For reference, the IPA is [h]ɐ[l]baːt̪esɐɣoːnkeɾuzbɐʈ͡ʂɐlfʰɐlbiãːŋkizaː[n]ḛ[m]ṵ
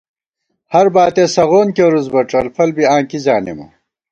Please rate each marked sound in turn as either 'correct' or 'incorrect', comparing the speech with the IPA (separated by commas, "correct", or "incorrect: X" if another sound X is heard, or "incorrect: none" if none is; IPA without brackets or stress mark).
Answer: correct, incorrect: ɾ, correct, correct